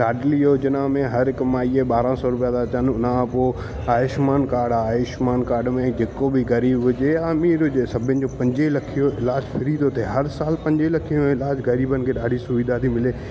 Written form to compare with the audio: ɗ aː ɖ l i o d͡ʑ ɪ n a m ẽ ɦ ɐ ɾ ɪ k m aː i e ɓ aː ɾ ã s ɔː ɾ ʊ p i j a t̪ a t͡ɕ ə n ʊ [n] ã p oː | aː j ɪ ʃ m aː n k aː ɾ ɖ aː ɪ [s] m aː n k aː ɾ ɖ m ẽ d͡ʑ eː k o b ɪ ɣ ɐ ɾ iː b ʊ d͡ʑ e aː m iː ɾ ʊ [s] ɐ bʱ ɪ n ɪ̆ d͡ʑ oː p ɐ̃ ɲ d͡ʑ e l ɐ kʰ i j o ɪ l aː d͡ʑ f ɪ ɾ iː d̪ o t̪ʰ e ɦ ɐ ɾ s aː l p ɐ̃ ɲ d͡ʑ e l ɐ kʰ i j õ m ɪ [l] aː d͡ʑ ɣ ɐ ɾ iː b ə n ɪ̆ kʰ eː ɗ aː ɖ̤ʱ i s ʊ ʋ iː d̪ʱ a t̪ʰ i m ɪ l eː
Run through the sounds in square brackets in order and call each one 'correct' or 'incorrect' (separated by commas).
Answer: correct, incorrect, correct, correct